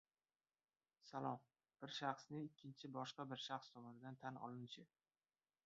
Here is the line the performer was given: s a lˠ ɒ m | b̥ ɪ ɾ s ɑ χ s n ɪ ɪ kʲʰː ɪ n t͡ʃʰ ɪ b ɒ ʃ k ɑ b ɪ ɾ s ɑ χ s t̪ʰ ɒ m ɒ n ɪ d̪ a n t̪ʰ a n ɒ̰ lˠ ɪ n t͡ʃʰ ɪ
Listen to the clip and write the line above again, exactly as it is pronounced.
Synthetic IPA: s a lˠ ɒ m | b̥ ɪ ɾ ʃ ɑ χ s n ɪ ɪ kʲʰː ɪ n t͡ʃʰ ɪ b ɒ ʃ q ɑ b ɪ ɾ ʃ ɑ χ s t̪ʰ ɒ m ɒ n ɪ d̪ a n t̪ʰ a n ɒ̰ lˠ ɪ n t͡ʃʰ ɪ